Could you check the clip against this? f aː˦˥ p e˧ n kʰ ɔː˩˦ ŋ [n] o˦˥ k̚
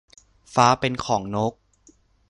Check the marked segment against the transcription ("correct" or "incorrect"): correct